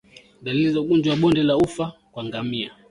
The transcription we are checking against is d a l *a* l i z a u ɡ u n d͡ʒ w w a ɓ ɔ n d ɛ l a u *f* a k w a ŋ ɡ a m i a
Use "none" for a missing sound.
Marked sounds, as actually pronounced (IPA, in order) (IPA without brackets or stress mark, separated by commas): i, f